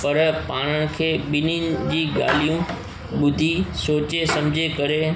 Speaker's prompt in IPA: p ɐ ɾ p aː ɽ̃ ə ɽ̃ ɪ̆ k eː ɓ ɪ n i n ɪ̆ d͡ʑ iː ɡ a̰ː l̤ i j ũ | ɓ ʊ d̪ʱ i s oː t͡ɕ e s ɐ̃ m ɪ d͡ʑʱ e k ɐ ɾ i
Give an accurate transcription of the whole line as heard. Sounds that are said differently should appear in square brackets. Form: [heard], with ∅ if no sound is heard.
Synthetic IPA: p ɐ ɾ p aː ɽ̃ ə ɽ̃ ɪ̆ [kʰ] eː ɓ ɪ n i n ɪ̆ d͡ʑ iː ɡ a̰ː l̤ i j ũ | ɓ ʊ d̪ʱ i s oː t͡ɕ e s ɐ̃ m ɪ d͡ʑʱ e k ɐ ɾ [e]